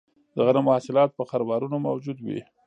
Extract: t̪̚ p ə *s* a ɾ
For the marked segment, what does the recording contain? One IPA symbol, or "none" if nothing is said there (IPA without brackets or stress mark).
x